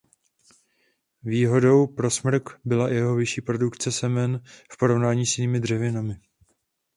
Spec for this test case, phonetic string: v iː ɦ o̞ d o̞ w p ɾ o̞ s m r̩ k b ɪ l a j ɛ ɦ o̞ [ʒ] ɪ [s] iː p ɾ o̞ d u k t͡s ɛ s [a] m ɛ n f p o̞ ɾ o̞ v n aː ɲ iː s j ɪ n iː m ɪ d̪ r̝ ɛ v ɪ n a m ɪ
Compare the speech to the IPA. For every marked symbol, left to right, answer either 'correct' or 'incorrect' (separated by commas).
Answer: incorrect, incorrect, incorrect